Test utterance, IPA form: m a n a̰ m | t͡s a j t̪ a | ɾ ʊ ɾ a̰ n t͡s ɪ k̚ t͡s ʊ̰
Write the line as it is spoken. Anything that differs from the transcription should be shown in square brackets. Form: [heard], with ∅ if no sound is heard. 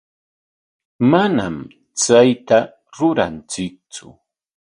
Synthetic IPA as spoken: m a n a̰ m | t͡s a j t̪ a | ɾ ʊ ɾ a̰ n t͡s ɪ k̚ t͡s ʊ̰